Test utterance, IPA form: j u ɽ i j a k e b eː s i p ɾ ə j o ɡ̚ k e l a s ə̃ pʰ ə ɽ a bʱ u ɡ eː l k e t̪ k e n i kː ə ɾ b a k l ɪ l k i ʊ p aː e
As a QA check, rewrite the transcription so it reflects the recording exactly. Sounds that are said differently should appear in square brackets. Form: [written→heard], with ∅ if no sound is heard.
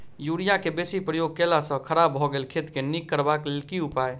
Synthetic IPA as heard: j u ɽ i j a k e b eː s i p ɾ ə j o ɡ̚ k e l a s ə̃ [pʰ→kʰ] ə [ɽ→ɾ] a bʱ [u→ɔ] ɡ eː l [k→kʰ] e t̪ k e n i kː ə ɾ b a k l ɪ l k i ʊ p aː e